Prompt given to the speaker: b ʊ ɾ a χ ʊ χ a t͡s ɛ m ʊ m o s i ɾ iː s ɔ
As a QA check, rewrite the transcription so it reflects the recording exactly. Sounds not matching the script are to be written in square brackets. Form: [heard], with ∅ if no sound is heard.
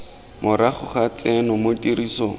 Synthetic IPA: [m] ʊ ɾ a χ ʊ χ a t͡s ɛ [n] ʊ m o [t] i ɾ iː s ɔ